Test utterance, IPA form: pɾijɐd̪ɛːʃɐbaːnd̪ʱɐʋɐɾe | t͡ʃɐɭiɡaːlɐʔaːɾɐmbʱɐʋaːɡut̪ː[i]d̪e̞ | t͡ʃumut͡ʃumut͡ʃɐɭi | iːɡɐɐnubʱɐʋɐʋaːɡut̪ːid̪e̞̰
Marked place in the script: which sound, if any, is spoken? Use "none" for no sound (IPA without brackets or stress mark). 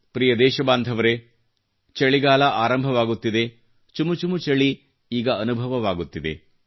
i